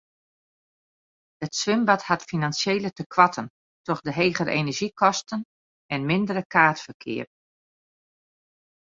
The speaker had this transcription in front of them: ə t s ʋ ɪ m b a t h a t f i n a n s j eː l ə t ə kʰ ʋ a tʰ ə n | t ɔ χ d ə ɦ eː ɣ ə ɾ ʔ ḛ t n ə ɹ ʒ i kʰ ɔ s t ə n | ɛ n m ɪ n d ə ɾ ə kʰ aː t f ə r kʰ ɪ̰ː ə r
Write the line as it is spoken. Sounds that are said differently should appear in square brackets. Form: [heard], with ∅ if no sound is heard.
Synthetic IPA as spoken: ə t s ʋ ɪ m b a t h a t f i n a n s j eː l ə t ə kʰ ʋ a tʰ ə n | t ɔ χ d ə ɦ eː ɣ ə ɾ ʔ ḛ [∅] n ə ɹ ʒ i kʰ ɔ s t ə n | ɛ n m ɪ n d ə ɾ ə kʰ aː t f ə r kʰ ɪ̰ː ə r

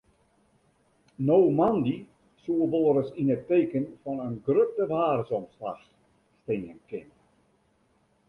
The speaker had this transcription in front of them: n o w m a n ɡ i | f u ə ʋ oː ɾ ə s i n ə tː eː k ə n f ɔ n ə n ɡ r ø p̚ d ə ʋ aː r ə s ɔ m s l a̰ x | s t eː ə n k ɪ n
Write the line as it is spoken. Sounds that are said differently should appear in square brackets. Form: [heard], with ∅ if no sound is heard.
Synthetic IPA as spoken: n o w m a n [d] i | [s] u ə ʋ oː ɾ ə s i n ə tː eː k ə n f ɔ n ə n ɡ r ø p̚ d ə ʋ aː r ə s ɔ m s l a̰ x | s t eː ə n k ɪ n

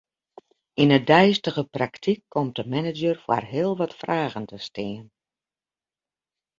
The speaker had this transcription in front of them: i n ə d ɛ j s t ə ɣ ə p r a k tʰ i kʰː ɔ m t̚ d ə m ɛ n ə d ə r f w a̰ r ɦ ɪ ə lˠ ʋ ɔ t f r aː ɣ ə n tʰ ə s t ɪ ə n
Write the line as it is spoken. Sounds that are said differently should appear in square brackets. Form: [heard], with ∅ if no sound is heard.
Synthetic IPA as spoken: i n ə d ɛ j s t ə ɣ ə p r a k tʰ i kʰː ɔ m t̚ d ə m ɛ n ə [d͡ʒ] ə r f w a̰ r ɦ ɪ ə lˠ ʋ ɔ t f r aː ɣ ə n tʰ ə s t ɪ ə n

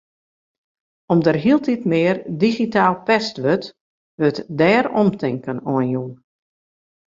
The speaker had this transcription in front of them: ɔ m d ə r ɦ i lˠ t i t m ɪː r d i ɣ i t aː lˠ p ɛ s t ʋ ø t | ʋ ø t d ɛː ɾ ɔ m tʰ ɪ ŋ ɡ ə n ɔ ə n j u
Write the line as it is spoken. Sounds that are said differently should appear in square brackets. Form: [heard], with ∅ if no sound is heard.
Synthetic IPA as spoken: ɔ m d ə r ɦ i lˠ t i t m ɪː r d i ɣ i t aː lˠ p ɛ s t ʋ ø t | ʋ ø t d ɛː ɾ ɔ m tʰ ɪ ŋ [k] ə n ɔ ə n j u

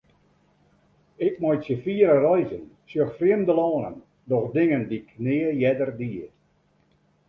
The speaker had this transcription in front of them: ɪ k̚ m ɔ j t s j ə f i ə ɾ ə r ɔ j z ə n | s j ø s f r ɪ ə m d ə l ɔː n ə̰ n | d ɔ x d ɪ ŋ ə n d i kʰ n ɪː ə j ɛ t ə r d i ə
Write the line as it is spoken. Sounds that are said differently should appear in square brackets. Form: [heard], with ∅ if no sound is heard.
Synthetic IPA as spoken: ɪ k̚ m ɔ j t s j ə f i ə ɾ ə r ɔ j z ə n | s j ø [x] f r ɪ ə m d ə l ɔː n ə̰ n | d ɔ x d ɪ ŋ ə n d i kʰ n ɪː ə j ɛ [d] ə r d i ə

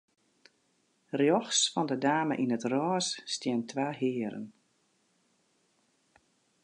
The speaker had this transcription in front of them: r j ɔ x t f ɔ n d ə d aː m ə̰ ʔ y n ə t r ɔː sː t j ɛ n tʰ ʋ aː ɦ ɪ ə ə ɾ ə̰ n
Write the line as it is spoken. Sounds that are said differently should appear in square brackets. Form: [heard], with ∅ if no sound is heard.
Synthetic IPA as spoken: r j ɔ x [s] f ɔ n d ə d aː m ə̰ ʔ [i] n ə t r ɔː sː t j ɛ n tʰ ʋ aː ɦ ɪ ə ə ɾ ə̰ n

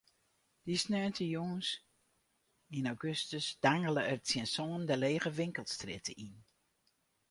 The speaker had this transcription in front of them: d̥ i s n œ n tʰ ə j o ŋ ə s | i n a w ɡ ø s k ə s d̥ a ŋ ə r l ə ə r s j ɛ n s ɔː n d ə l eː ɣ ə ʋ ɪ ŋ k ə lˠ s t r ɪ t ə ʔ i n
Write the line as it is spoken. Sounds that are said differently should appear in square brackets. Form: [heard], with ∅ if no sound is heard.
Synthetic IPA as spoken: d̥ i s n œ n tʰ ə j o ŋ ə s | i n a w ɡ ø s [t] ə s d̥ a ŋ ə [∅] l ə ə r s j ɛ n s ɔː n d ə l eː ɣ ə ʋ ɪ ŋ k ə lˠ s t r ɪ t ə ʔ i n

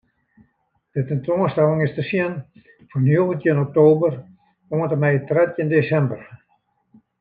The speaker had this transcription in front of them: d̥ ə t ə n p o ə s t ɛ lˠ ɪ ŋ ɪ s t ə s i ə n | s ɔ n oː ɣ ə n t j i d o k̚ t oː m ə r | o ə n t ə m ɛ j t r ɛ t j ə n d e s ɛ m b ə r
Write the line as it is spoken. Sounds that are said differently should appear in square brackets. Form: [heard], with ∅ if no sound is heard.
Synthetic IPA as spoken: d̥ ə t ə n [t] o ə s t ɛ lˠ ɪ ŋ ɪ s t ə s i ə n | [f] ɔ n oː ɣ ə n t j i [n] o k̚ t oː [b] ə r | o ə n t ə m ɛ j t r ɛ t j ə n d e s ɛ m b ə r

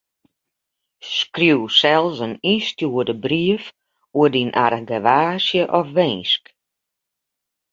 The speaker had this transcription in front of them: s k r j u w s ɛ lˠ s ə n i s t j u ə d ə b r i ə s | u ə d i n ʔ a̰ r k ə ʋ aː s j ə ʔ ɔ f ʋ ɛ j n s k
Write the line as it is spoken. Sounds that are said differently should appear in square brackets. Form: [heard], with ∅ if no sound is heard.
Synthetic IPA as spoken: s k r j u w s ɛ lˠ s ə n i s t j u ə d ə b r i ə [f] | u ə d i n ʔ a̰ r [ɡ] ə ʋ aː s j ə ʔ ɔ f ʋ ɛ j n s k

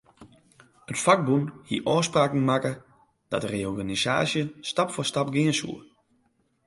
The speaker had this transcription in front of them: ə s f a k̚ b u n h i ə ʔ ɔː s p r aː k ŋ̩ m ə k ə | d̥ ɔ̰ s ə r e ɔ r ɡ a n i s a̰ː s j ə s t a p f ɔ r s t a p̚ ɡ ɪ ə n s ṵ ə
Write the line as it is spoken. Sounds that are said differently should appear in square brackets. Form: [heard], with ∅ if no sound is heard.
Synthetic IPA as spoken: ə [t] f a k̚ b u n h i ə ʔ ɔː s p r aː k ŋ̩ m [a] k ə | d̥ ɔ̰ [t] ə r e ɔ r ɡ a n i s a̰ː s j ə s t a p f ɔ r s t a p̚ ɡ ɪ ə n s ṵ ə

